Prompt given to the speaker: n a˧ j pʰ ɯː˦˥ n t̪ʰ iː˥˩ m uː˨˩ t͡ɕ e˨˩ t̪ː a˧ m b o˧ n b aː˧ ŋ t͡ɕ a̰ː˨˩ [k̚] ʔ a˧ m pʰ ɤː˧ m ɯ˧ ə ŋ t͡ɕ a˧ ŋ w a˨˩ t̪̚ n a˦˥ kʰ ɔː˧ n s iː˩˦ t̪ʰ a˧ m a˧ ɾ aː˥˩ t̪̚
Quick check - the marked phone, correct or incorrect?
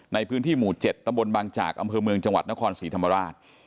correct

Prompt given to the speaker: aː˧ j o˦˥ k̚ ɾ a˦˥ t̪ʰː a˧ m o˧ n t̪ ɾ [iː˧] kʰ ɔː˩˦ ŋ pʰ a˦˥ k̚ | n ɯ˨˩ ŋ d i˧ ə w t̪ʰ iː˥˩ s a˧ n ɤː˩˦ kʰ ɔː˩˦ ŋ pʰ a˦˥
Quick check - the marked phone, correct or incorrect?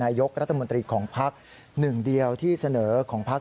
correct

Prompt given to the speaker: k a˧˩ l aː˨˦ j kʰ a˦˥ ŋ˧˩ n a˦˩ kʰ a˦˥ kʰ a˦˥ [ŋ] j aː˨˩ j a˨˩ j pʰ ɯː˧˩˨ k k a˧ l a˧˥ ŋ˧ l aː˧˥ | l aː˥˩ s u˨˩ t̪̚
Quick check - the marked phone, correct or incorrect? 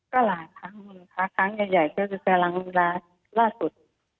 correct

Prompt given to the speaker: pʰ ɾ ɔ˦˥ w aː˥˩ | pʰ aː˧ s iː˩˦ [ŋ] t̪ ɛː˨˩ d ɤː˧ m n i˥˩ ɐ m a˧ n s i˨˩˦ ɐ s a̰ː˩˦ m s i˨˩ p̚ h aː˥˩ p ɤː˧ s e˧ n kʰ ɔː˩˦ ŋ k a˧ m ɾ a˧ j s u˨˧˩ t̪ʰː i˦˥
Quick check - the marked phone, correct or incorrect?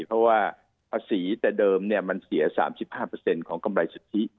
incorrect: none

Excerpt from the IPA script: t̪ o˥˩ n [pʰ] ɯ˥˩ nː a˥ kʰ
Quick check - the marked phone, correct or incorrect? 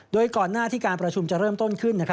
incorrect: kʰ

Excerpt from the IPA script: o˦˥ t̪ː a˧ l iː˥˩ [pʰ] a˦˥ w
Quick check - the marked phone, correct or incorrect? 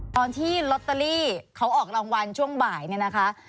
incorrect: kʰ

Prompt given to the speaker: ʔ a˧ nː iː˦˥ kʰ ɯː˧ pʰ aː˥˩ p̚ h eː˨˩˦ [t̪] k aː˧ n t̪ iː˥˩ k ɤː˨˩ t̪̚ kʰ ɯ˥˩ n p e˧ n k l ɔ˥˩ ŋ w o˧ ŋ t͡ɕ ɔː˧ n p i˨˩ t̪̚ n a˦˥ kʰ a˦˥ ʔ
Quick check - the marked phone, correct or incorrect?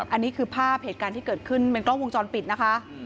correct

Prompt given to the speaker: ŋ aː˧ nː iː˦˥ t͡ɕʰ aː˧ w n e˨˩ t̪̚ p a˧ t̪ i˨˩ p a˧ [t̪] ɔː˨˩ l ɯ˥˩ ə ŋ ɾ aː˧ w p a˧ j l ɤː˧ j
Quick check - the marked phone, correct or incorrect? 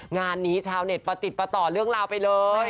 correct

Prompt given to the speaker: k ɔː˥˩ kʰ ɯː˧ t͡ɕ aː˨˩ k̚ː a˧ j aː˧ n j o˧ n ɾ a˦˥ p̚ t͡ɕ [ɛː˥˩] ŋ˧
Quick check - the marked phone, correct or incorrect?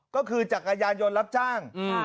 incorrect: aː˥˩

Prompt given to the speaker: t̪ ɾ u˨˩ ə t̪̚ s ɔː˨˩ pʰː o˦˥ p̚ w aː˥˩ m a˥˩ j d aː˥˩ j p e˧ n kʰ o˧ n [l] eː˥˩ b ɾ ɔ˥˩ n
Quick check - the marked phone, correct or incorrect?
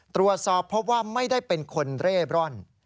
incorrect: ɾ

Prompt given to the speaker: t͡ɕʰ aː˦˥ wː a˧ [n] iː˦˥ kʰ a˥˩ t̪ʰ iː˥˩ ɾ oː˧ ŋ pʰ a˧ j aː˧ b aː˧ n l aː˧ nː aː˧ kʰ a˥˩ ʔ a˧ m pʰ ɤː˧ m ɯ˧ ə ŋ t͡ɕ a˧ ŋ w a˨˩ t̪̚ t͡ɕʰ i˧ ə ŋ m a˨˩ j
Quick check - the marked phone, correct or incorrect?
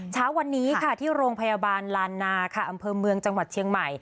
incorrect: nː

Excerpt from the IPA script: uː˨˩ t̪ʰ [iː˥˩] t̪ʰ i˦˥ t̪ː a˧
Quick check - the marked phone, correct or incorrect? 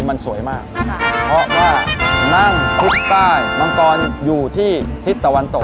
correct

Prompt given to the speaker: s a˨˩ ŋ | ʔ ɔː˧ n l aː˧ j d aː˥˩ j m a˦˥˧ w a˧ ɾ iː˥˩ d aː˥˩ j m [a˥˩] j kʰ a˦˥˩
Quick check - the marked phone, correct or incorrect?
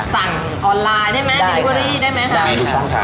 incorrect: a˦˥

